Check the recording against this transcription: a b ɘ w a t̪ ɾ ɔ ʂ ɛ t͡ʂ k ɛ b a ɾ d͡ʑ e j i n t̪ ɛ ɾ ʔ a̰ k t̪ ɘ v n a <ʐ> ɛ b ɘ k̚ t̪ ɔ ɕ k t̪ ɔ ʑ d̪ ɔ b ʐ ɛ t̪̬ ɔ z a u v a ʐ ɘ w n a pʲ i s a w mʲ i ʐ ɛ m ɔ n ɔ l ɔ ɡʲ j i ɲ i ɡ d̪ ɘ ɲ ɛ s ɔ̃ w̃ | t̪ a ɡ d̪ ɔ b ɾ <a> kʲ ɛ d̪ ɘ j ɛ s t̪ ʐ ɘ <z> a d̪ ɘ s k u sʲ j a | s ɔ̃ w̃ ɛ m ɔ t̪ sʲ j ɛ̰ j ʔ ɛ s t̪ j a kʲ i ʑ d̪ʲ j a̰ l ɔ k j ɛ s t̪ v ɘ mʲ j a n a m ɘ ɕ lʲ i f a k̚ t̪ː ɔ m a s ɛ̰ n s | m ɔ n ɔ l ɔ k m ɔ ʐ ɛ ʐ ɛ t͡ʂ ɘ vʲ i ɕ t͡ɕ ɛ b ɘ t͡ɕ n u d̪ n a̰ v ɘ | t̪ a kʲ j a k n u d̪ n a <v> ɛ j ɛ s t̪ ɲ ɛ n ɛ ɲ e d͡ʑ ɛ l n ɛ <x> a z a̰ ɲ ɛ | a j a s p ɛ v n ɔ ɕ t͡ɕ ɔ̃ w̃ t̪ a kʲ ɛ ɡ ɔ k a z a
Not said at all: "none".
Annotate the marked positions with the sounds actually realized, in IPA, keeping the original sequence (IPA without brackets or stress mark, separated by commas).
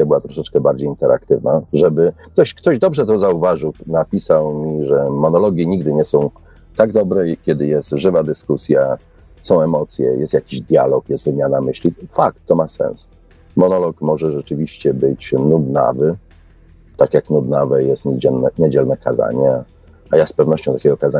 ʐ, ɛ, v, v, k